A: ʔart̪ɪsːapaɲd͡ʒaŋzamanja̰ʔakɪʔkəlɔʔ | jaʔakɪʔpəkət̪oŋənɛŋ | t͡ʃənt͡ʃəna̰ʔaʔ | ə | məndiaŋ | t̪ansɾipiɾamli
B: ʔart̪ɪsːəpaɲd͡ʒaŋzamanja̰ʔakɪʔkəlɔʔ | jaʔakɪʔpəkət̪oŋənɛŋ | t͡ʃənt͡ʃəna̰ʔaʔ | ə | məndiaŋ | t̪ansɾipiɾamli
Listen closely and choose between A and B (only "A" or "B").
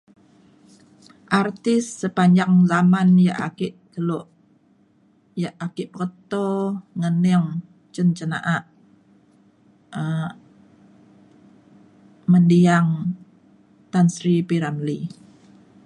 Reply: B